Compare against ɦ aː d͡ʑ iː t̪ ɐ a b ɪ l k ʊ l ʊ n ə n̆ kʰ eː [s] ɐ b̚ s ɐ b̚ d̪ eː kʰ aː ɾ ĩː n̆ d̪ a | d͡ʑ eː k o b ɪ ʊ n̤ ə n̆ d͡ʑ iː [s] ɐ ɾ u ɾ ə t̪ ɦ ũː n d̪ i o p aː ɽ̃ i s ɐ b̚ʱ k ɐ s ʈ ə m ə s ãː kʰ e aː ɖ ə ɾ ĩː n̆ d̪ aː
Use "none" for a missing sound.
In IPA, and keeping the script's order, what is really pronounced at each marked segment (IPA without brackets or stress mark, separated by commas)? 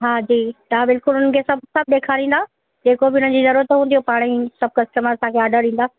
s, z